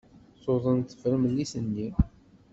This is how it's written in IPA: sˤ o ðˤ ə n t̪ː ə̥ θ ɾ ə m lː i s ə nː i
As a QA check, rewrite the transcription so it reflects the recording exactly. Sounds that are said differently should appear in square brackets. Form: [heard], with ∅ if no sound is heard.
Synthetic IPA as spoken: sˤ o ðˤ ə n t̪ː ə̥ [f] ɾ ə m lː i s ə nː i